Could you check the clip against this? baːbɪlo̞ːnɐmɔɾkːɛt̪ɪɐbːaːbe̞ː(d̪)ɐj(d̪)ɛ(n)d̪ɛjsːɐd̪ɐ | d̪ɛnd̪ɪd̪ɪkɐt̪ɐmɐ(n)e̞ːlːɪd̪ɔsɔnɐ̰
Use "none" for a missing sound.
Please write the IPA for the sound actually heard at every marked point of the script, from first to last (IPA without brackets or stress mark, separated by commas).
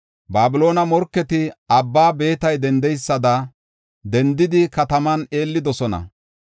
t̪, d̪, n, n